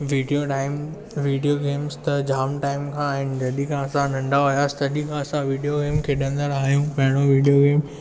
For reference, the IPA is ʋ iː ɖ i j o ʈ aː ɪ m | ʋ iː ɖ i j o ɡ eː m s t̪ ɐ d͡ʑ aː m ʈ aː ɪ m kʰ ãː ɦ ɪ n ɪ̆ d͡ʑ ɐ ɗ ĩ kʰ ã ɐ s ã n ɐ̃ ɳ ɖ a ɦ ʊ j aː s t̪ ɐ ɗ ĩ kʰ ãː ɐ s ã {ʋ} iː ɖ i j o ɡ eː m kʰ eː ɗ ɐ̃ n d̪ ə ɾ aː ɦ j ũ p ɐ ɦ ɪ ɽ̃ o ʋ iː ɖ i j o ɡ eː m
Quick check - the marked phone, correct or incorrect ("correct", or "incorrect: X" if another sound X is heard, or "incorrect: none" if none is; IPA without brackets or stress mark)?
correct